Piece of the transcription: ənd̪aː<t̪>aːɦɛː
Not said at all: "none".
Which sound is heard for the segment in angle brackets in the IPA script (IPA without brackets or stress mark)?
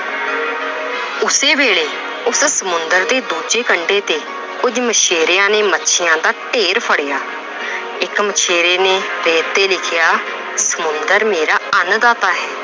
t̪